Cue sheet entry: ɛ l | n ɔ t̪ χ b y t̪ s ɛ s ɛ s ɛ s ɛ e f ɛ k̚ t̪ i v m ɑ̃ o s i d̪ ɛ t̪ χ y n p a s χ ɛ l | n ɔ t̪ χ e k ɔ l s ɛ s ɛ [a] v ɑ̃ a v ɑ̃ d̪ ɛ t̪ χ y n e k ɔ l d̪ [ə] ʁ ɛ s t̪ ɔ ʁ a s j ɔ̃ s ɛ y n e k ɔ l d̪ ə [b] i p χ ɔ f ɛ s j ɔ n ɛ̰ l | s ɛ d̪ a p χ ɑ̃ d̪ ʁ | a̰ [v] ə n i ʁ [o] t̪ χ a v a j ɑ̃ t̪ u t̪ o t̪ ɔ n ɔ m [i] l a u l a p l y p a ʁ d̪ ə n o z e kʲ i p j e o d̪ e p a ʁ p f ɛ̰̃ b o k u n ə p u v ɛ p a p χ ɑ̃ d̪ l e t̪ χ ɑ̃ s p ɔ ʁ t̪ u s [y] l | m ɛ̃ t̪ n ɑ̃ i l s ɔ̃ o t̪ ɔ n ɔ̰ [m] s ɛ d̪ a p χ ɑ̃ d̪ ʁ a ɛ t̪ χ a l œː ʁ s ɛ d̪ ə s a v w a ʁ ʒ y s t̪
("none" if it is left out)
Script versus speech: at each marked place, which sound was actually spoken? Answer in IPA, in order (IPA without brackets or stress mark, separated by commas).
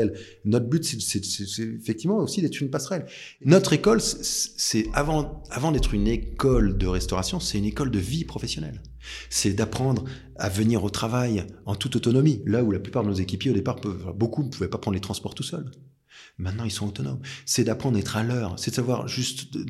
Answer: a, ə, v, v, o, i, œ, m